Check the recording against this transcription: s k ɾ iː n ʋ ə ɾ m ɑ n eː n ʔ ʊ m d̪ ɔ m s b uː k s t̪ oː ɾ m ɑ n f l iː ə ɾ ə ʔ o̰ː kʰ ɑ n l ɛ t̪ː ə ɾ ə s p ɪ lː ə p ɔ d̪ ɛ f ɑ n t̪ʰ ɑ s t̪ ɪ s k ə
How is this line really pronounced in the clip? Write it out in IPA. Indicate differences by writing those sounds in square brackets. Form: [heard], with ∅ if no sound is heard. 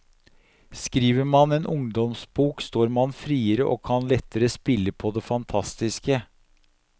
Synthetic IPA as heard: s k ɾ iː [∅] ʋ ə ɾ m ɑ n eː n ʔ ʊ [ŋ] d̪ ɔ m s b uː k s t̪ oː ɾ m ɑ n f [ɾ] iː ə ɾ ə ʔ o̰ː kʰ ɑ n l ɛ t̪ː ə ɾ ə s p ɪ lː ə [pʰ] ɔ d̪ ɛ f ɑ n t̪ʰ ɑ s t̪ ɪ s k ə

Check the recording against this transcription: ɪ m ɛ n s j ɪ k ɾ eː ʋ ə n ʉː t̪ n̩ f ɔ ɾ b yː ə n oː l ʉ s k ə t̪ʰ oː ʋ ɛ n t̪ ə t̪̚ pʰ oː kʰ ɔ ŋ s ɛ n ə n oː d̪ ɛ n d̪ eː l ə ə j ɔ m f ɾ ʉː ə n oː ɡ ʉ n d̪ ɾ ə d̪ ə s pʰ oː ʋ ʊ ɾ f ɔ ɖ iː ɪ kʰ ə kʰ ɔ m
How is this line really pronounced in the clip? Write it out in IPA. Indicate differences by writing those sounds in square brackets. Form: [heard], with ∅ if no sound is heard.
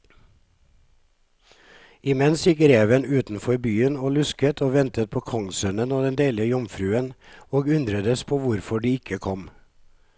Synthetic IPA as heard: ɪ m ɛ n s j ɪ k ɾ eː ʋ ə n ʉː t̪ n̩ f ɔ ɾ b yː ə n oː l ʉ s k ə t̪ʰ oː ʋ ɛ n t̪ ə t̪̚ pʰ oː kʰ ɔ ŋ s [œ] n ə n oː d̪ ɛ n d̪ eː l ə ə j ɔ m f ɾ ʉː ə n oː ɡ ʉ n d̪ ɾ ə d̪ ə s pʰ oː ʋ ʊ ɾ f ɔ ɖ iː ɪ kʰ ə kʰ ɔ m

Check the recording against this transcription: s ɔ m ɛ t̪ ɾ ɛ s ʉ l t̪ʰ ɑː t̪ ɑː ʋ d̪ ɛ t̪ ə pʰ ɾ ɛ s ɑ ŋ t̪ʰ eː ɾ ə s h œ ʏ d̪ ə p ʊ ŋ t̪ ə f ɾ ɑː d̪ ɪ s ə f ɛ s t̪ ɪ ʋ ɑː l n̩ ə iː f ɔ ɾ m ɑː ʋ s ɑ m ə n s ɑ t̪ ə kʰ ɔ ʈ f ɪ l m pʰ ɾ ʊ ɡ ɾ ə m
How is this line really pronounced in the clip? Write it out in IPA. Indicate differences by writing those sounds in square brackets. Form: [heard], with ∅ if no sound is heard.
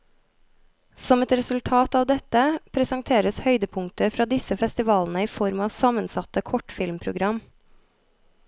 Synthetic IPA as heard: s ɔ m ɛ t̪ ɾ ɛ s ʉ l t̪ʰ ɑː t̪ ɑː ʋ d̪ ɛ t̪ ə pʰ ɾ ɛ s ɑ ŋ t̪ʰ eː ɾ ə s h œ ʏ d̪ ə [pʰ] ʊ ŋ t̪ ə f ɾ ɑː d̪ ɪ s ə f ɛ s t̪ ɪ ʋ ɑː l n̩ ə iː f ɔ ɾ m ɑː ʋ s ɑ m ə n s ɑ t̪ ə kʰ ɔ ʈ f ɪ l m pʰ ɾ ʊ ɡ ɾ [ɑ] m

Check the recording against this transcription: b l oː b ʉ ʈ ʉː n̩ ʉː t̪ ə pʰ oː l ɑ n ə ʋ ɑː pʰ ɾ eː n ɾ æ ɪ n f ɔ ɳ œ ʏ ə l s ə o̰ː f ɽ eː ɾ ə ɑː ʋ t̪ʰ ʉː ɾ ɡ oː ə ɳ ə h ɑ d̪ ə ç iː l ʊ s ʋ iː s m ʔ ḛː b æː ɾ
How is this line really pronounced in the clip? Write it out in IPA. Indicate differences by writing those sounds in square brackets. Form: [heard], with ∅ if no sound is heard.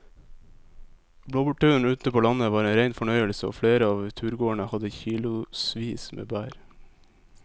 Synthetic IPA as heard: b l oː b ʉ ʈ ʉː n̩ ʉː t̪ ə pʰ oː l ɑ n ə ʋ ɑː [∅] ɾ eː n ɾ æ ɪ n f ɔ ɳ œ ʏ ə l s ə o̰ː f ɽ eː ɾ ə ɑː ʋ t̪ʰ ʉː ɾ ɡ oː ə ɳ ə h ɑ d̪ ə ç iː l ʊ s ʋ iː s m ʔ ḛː b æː ɾ

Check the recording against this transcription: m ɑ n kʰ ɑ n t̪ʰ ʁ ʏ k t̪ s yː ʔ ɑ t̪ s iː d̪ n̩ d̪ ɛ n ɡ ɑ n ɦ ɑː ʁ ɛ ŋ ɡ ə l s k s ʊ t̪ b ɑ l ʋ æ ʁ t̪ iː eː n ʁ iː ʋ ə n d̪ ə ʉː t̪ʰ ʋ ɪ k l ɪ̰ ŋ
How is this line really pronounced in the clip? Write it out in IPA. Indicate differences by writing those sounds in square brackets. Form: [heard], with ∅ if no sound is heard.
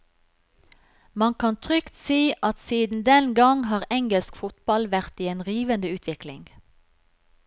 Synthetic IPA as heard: m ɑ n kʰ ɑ n t̪ʰ ʁ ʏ k t̪ s [iː] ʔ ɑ t̪ s iː d̪ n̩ d̪ ɛ n ɡ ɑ [ŋ] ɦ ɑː ʁ ɛ ŋ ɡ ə l s k [f] ʊ t̪ b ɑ l ʋ æ ʁ t̪ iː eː n ʁ iː ʋ ə n d̪ ə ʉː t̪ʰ ʋ ɪ k l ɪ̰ ŋ

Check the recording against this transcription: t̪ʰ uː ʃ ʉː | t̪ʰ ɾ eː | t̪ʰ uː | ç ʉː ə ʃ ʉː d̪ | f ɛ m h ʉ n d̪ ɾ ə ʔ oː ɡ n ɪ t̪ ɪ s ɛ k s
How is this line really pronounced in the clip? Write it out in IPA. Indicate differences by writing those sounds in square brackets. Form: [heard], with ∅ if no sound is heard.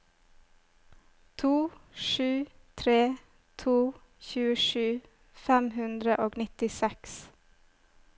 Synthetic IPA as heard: t̪ʰ uː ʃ ʉː | t̪ʰ ɾ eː | t̪ʰ uː | ç ʉː ə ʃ ʉː [∅] | f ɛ m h ʉ n d̪ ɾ ə ʔ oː ɡ n ɪ t̪ ɪ s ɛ k s

